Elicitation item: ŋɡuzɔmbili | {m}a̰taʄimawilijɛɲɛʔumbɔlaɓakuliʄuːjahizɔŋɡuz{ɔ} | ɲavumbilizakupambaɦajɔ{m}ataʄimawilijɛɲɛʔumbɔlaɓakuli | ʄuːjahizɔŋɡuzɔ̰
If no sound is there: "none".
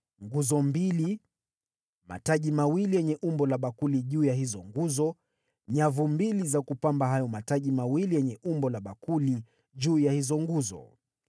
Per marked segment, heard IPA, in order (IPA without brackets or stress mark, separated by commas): m, ɔ, m